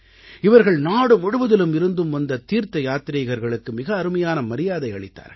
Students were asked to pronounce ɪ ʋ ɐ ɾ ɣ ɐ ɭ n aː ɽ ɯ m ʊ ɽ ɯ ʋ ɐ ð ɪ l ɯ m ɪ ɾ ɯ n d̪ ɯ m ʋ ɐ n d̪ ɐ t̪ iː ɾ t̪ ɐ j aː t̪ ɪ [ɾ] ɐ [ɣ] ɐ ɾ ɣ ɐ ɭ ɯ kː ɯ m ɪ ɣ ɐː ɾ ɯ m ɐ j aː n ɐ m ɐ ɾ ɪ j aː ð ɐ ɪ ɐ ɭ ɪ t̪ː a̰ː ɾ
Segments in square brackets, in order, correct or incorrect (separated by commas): correct, correct